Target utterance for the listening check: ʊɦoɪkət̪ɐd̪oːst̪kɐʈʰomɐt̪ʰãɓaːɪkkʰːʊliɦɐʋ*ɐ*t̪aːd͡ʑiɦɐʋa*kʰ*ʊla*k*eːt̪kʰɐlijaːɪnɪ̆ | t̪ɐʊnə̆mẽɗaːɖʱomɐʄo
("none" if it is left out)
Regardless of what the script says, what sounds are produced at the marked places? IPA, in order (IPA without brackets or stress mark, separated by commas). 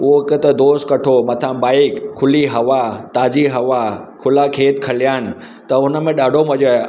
a, kʰ, kʰ